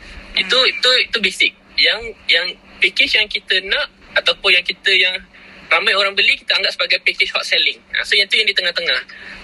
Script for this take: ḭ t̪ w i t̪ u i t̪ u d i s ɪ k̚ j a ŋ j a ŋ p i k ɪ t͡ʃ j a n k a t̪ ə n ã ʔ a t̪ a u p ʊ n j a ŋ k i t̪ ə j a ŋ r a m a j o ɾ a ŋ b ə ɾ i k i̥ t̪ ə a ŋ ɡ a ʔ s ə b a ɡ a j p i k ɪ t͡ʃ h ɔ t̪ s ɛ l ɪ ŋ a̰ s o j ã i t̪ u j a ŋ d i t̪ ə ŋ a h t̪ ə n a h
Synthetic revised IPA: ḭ t̪ u i t̪ u i t̪ u b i s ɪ k̚ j a ŋ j a ŋ p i k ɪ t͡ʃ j a ŋ k i t̪ ə n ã ʔ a t̪ a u p ʊ n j a ŋ k i t̪ ə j a ŋ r a m a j o ɾ a ŋ b ə l i k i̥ t̪ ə a ŋ ɡ a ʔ s ə b a ɡ a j p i k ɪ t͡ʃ h ɔ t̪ s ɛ l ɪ ŋ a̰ s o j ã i t̪ u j a ŋ d i t̪ ə ŋ a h t̪ ə ŋ a h